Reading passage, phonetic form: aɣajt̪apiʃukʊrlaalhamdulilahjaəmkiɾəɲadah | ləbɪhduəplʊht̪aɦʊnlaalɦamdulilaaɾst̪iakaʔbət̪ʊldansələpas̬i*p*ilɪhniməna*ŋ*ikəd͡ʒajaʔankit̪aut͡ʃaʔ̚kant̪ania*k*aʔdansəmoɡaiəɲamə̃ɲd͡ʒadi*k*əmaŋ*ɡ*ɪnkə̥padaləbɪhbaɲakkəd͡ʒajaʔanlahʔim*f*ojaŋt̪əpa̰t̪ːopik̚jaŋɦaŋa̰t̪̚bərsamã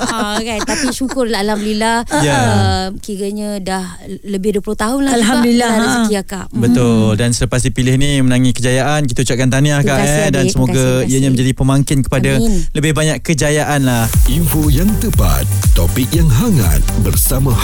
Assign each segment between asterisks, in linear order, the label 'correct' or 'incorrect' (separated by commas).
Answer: correct, correct, correct, incorrect, incorrect, correct